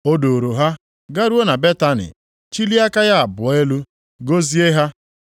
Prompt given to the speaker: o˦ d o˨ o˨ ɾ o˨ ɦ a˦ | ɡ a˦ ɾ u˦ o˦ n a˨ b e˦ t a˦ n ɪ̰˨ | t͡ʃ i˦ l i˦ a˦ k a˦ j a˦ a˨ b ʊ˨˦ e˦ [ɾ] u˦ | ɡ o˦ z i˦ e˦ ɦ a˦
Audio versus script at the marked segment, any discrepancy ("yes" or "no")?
yes